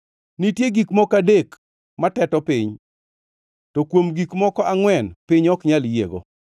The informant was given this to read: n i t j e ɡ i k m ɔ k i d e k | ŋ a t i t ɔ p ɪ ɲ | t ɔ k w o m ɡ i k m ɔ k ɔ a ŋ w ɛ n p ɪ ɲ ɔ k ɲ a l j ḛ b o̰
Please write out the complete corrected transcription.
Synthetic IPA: n i t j e ɡ i k m ɔ k a d e k | m a t ɛ t ɔ p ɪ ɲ | t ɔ k w o m ɡ i k m ɔ k ɔ a ŋ w ɛ n p ɪ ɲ ɔ k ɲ a l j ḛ ɡ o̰